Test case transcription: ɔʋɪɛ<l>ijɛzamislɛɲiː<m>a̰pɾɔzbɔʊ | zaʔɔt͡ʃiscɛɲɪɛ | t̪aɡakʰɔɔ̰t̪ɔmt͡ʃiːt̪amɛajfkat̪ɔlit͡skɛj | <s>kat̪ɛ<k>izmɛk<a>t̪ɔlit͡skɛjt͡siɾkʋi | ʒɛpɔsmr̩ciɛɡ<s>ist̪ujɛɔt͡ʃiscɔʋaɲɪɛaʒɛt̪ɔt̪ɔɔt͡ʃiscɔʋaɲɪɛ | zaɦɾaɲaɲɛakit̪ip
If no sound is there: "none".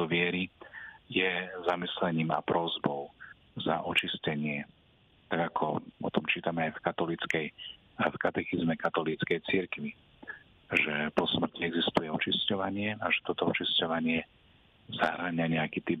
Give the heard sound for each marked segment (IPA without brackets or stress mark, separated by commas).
ɾ, m, f, x, a, z